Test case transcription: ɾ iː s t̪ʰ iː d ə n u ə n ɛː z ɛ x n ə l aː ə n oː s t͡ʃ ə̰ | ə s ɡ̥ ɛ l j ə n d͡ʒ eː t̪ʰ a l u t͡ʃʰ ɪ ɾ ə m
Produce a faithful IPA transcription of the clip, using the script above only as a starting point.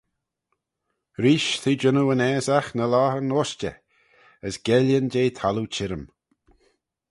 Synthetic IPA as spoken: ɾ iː ʃ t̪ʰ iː d͡ʒ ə n u ə n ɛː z a x n ə l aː ə n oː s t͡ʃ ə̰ | ə s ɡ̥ ɛ l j ə n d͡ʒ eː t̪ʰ a l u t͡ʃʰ ɪ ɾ ə m